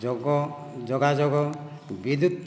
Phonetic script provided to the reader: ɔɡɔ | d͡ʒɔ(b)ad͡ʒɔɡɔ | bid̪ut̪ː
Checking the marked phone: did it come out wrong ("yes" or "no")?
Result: yes